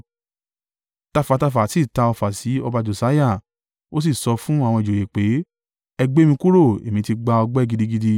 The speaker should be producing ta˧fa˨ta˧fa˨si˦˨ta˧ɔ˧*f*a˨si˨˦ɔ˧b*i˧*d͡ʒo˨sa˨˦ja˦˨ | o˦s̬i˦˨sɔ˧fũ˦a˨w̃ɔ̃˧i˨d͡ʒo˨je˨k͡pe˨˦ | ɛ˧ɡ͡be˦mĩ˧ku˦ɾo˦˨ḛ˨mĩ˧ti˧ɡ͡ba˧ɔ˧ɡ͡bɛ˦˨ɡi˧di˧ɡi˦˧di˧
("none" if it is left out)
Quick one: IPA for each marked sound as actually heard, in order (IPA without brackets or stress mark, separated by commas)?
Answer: f, a˧